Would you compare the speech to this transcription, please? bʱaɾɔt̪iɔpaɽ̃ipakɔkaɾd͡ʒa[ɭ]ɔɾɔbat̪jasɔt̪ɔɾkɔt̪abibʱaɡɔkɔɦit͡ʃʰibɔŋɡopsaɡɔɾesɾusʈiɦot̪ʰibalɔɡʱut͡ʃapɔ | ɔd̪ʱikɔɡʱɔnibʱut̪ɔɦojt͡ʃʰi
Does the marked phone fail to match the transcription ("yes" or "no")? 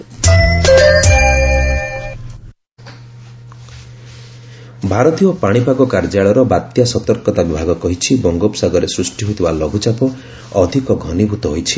no